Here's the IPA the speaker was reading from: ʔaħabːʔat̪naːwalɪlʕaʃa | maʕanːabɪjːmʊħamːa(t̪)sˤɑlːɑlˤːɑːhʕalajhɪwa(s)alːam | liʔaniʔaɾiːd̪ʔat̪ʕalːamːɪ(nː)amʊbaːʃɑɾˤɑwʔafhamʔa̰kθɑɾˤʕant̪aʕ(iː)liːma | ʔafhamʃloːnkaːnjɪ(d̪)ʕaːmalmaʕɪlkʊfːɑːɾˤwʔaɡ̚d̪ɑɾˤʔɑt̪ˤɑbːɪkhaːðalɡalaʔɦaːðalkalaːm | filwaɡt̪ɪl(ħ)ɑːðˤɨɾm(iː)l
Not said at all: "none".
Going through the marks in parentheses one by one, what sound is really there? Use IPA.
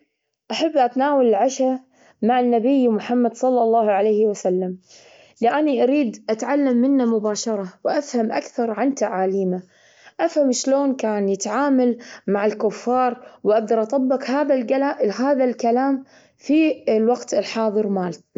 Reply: d̪, s, nː, aː, t̪, ħ, aː

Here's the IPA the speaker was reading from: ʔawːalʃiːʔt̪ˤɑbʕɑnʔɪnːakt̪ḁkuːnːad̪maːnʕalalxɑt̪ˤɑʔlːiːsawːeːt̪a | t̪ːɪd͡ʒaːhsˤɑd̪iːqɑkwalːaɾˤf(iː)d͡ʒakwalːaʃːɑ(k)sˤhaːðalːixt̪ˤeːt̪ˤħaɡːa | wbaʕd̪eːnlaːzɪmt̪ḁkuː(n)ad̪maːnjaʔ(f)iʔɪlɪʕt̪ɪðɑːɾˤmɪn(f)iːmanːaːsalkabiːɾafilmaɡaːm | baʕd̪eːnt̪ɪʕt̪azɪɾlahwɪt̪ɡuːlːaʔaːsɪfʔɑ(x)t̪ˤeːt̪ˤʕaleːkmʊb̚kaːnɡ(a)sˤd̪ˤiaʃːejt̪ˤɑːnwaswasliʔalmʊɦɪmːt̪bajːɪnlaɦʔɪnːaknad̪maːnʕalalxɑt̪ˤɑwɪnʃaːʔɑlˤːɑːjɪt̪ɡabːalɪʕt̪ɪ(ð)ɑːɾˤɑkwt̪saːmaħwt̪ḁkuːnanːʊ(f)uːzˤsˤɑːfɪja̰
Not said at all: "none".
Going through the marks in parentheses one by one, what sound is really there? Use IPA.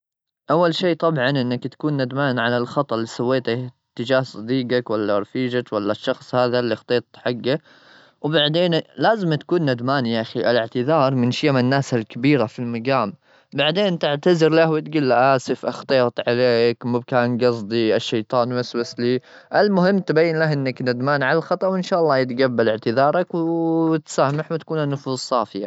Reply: iː, x, nː, x, ʃ, x, ɑ, ð, f

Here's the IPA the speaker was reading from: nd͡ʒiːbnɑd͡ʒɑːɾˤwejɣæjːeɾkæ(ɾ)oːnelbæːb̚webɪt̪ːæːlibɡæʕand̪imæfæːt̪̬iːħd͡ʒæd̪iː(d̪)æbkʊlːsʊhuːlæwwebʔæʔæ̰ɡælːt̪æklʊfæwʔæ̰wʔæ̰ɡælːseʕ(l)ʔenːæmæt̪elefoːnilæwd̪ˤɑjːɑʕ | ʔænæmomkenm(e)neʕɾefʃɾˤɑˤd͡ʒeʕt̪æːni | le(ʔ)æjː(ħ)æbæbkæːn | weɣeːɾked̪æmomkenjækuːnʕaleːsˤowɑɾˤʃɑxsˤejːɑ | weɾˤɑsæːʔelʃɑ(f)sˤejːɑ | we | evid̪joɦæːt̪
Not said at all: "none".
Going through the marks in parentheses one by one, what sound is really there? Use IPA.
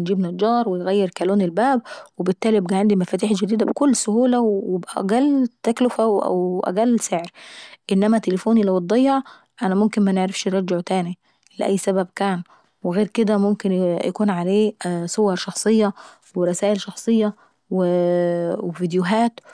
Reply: l, d̪, ɾ, æ, ʔ, s, x

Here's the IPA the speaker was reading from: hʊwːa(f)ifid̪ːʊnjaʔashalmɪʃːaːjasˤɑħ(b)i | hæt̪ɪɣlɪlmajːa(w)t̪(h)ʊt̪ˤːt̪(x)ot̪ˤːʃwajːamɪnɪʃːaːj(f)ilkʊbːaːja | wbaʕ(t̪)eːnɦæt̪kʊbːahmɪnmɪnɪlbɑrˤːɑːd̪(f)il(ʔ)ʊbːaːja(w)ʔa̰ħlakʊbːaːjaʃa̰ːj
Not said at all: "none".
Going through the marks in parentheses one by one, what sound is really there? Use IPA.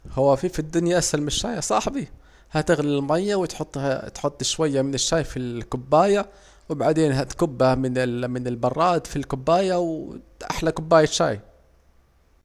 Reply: f, b, w, ħ, ħ, f, d̪, f, k, w

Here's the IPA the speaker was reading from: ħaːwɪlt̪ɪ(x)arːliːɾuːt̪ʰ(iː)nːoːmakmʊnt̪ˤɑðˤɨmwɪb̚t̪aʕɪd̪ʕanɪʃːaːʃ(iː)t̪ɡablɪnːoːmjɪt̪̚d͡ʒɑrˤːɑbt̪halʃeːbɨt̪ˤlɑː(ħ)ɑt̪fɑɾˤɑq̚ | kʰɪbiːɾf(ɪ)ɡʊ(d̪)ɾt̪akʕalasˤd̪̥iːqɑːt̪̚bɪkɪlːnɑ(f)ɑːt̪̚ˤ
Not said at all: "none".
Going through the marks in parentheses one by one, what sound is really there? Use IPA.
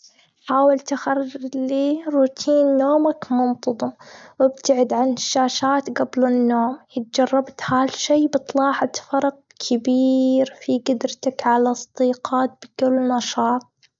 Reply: x, iː, aː, ħ, i, d̪, ʃ

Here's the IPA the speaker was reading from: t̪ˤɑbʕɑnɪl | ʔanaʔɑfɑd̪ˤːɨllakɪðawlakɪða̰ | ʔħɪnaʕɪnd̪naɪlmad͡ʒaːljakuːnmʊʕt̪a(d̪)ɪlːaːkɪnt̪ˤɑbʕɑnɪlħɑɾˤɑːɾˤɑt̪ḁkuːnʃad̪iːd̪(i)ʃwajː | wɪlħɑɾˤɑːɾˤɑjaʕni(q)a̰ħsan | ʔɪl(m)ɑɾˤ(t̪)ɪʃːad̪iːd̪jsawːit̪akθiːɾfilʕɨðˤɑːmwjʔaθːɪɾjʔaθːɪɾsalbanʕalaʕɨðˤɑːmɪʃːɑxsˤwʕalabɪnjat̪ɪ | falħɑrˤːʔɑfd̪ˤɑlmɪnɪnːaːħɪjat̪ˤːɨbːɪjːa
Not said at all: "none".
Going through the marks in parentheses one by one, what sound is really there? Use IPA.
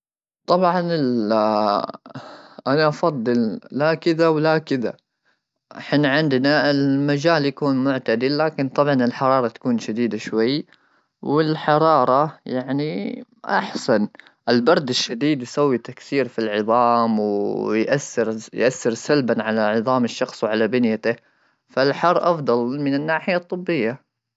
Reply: d̪, a, ʔ, b, d̪

